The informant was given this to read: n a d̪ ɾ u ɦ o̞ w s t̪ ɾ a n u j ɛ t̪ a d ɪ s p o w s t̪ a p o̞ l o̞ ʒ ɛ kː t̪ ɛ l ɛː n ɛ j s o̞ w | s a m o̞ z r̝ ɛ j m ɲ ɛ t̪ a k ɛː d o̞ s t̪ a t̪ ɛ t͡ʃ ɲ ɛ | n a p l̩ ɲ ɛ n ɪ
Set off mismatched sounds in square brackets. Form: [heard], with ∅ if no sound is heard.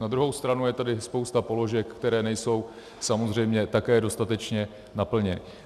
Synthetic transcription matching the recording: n a d̪ ɾ u ɦ o̞ w s t̪ ɾ a n u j ɛ t̪ a d ɪ s p o w s t̪ a p o̞ l o̞ ʒ ɛ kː t̪ ɛ [ɾ] ɛː n ɛ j s o̞ w | s a m o̞ z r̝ ɛ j m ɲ ɛ t̪ a k ɛː d o̞ s t̪ a t̪ ɛ t͡ʃ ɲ ɛ | n a p l̩ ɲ ɛ n ɪ